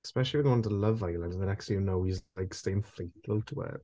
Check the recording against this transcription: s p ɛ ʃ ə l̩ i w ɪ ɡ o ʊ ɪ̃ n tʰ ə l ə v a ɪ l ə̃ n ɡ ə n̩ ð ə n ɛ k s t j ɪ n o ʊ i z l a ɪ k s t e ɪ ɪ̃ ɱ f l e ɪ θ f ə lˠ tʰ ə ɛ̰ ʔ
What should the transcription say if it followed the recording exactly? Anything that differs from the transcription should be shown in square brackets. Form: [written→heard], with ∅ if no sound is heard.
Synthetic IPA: s p ɛ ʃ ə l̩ i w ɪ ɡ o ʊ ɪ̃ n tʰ ə l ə v a ɪ l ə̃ n [ɡ→d] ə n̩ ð ə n ɛ k s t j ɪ n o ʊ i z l a ɪ k s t e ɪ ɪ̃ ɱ f l e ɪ θ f ə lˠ tʰ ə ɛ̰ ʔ